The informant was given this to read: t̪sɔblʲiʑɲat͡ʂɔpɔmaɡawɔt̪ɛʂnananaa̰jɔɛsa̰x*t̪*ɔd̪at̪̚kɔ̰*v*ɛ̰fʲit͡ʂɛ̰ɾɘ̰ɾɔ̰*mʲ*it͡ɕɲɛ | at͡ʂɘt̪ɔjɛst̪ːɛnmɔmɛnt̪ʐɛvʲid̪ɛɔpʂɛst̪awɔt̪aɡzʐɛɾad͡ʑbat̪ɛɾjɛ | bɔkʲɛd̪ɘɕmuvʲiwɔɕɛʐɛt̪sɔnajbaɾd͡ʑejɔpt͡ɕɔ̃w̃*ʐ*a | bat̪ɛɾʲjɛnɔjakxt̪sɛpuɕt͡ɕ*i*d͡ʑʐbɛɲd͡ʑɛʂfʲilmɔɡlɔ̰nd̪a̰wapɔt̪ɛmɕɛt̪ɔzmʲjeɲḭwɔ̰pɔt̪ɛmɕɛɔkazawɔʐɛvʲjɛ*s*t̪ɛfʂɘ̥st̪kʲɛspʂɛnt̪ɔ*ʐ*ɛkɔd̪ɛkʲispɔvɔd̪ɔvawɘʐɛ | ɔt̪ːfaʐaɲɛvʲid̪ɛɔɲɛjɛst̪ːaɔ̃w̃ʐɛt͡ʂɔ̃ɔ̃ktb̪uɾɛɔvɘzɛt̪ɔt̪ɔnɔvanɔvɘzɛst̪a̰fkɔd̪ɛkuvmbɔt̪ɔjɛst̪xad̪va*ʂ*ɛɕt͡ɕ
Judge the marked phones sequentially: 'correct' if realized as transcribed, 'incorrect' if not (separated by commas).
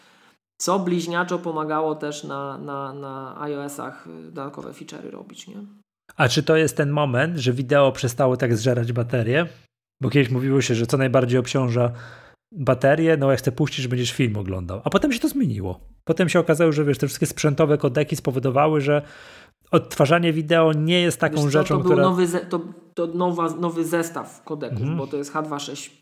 incorrect, correct, incorrect, correct, correct, incorrect, incorrect, correct